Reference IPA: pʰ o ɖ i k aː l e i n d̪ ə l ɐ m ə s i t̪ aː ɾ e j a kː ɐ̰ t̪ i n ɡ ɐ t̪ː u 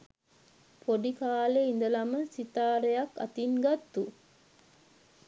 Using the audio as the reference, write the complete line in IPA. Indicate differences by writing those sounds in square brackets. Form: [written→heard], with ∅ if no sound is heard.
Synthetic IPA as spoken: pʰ o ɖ i k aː l e i n d̪ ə l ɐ m ə s i t̪ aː ɾ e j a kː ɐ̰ t̪ i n ɡ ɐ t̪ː u